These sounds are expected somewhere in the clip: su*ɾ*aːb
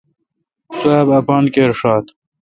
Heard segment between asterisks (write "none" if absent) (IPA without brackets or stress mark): none